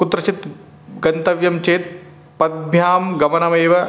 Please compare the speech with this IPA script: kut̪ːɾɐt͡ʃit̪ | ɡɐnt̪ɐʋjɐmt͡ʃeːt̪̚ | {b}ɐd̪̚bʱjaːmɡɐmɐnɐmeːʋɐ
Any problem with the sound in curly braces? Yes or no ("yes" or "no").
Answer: yes